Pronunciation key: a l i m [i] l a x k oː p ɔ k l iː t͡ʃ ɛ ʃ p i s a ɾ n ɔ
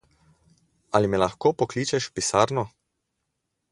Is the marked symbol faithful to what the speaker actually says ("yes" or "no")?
no